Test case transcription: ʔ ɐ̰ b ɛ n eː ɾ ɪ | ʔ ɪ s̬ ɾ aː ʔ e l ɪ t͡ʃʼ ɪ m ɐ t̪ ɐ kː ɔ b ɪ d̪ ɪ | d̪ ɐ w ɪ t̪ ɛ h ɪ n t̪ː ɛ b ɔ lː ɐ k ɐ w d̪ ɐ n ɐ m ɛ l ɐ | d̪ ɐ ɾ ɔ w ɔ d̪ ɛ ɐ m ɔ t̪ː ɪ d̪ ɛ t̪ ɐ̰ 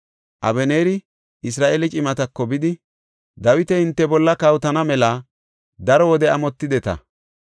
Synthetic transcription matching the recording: ʔ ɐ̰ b ɛ n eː ɾ ɪ | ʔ ɪ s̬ ɾ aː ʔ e l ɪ t͡ʃʼ ɪ m ɐ t̪ ɐ kː ɔ b ɪ d̪ ɪ | d̪ ɐ w ɪ t̪ ɛ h ɪ n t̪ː ɛ b ɔ lː ɐ k ɐ w t̪ ɐ n ɐ m ɛ l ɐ | d̪ ɐ ɾ ɔ w ɔ d̪ ɛ ɐ m ɔ t̪ː ɪ d̪ ɛ t̪ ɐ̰